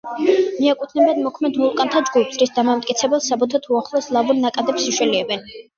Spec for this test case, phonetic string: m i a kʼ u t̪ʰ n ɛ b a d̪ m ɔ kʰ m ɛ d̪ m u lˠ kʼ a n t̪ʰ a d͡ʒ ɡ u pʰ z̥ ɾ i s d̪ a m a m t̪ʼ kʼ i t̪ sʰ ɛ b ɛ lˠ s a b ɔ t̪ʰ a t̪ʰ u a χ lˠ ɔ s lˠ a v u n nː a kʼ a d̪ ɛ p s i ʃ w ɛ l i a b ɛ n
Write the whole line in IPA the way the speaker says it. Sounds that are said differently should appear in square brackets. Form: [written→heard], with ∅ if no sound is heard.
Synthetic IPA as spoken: m i a kʼ u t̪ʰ n ɛ b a d̪ m ɔ kʰ m ɛ d̪ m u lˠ kʼ a n t̪ʰ a d͡ʒ ɡ u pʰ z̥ ɾ i s d̪ a m a m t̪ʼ kʼ i t̪ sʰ ɛ b ɛ lˠ s a b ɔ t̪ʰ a t̪ʰ u a χ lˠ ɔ s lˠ a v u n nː a kʼ a d̪ ɛ p s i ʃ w ɛ l i [a→ɛ] b ɛ n

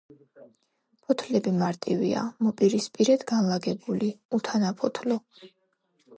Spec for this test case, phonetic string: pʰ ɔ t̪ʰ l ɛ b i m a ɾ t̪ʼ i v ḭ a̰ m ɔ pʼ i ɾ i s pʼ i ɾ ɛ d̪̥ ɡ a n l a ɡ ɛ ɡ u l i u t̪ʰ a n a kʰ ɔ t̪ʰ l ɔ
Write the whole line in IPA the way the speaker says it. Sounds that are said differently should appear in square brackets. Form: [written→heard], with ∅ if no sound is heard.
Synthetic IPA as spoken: pʰ ɔ t̪ʰ l ɛ b i m a ɾ t̪ʼ i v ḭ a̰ m ɔ pʼ i ɾ i s pʼ i ɾ ɛ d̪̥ ɡ a n l a ɡ ɛ [ɡ→b] u l i u t̪ʰ a n a [kʰ→pʰ] ɔ t̪ʰ l ɔ

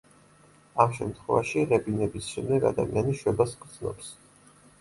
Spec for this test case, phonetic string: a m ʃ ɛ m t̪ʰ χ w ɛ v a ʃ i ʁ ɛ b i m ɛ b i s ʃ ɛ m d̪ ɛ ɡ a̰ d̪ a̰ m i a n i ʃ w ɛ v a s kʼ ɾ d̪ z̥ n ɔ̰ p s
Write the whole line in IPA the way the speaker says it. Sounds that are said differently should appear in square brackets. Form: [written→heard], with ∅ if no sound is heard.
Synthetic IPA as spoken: a m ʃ ɛ m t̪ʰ χ w ɛ v a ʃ i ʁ ɛ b i [m→n] ɛ b i s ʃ ɛ m d̪ ɛ ɡ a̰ d̪ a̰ m i a n i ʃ w ɛ [v→b] a s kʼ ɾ d̪ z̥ n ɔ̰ p s

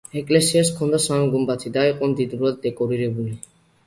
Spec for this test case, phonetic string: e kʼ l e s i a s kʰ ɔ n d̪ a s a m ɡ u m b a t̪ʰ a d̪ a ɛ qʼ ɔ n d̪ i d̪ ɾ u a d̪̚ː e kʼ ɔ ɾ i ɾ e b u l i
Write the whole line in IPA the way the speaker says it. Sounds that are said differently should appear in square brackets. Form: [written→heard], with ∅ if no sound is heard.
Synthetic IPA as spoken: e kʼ l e s i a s kʰ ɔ n d̪ a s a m ɡ u m b a t̪ʰ [a→i] d̪ a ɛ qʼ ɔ n d̪ i d̪ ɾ u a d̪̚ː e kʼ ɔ ɾ i ɾ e b u l i

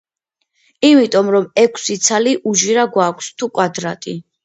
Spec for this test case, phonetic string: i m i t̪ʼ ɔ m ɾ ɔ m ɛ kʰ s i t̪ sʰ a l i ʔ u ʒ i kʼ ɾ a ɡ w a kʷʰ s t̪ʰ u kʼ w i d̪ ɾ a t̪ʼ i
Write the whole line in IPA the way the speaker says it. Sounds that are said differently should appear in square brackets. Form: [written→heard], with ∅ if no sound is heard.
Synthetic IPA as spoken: i m i t̪ʼ ɔ m ɾ ɔ m ɛ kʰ s i t̪ sʰ a l i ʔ u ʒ i [kʼ→∅] ɾ a ɡ w a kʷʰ s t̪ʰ u kʼ w [i→a] d̪ ɾ a t̪ʼ i

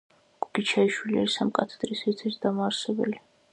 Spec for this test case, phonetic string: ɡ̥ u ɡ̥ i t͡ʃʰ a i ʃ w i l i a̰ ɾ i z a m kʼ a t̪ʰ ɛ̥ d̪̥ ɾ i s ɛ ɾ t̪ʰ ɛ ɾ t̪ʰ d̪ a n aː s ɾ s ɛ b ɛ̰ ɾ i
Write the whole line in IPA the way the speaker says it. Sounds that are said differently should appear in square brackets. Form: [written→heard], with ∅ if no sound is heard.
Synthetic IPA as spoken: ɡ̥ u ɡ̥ i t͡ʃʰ a i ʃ w i l i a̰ ɾ i [z→s] a m kʼ a t̪ʰ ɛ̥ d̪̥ ɾ i s ɛ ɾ t̪ʰ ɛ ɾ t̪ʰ d̪ a [n→m] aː [s→∅] ɾ s ɛ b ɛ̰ [ɾ→l] i

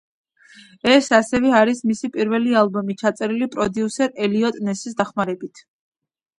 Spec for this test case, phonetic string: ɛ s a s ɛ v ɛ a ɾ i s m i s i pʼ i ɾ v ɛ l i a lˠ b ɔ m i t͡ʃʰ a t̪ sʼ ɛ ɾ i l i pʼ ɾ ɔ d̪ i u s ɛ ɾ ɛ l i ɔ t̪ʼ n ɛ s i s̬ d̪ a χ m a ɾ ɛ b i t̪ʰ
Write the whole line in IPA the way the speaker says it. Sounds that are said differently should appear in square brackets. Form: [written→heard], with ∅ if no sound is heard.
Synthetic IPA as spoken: ɛ s a s ɛ v ɛ a ɾ i s m i s i pʼ i ɾ v ɛ l i a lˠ b ɔ m i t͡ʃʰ a t̪ sʼ ɛ ɾ i l i pʼ ɾ ɔ d̪ i u s ɛ ɾ ɛ l i ɔ t̪ʼ n ɛ s i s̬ d̪ a χ m a ɾ ɛ b i t̪ʰ

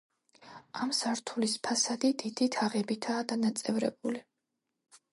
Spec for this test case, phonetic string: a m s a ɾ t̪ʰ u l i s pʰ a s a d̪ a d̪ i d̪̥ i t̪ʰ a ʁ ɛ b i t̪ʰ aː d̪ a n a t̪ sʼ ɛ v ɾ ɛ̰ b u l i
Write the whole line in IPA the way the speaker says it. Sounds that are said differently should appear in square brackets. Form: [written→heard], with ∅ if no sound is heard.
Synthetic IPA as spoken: a m s a ɾ t̪ʰ u l i s pʰ a s a d̪ [a→i] d̪ i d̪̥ i t̪ʰ a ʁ ɛ b i t̪ʰ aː d̪ a n a t̪ sʼ ɛ v ɾ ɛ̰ b u l i

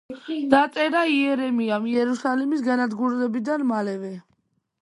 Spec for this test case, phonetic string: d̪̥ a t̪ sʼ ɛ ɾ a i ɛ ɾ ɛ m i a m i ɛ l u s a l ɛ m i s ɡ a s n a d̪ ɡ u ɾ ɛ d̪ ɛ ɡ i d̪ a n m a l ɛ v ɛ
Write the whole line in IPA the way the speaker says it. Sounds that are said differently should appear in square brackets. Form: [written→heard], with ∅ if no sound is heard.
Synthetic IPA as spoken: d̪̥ a t̪ sʼ ɛ ɾ a i ɛ ɾ ɛ m i a m i ɛ [l→ɾ] u s a l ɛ m i s ɡ a [s→∅] n a d̪ ɡ u ɾ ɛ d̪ ɛ [ɡ→b] i d̪ a n m a l ɛ v ɛ

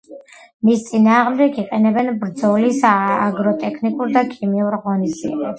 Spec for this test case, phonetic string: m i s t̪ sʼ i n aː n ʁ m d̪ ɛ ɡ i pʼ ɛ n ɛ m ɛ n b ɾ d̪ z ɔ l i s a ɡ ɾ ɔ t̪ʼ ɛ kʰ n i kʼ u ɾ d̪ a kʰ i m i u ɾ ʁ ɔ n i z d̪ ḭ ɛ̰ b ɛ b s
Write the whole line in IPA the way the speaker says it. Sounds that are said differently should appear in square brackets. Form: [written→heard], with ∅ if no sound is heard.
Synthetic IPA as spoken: m i s t̪ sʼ i n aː [n→∅] ʁ m d̪ ɛ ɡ i [pʼ→qʼ] ɛ n ɛ [m→b] ɛ n b ɾ d̪ z ɔ l i s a ɡ ɾ ɔ t̪ʼ ɛ kʰ n i kʼ u ɾ d̪ a kʰ i m i u ɾ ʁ ɔ n i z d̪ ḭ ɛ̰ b ɛ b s

